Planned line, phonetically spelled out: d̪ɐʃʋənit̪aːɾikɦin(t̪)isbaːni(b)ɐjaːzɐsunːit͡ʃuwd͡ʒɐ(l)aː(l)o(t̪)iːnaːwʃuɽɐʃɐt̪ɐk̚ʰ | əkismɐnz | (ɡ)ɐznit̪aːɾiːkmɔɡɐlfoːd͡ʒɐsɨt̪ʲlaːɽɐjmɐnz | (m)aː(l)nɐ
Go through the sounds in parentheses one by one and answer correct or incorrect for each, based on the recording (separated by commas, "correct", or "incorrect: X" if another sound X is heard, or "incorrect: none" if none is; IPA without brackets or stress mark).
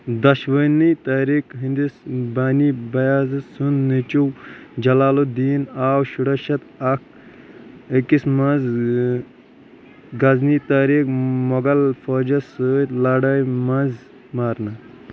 incorrect: d̪, correct, correct, correct, incorrect: d̪, correct, correct, incorrect: ɾ